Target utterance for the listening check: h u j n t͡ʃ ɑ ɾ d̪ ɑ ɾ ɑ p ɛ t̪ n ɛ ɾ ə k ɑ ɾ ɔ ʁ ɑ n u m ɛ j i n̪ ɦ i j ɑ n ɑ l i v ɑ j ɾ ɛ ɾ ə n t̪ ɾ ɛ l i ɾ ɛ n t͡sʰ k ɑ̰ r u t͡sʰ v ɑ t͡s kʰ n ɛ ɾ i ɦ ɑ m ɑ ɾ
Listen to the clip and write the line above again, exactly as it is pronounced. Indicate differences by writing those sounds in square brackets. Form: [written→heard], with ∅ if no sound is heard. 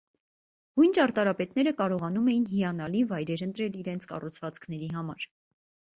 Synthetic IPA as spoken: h u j n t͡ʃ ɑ ɾ [d̪→t̪] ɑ ɾ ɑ p ɛ t̪ n ɛ ɾ ə k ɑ ɾ ɔ ʁ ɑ n u m ɛ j i n̪ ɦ i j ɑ n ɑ l i v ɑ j ɾ ɛ ɾ ə n t̪ ɾ ɛ l i ɾ ɛ n t͡sʰ k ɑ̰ r u t͡sʰ v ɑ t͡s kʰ n ɛ ɾ i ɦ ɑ m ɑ ɾ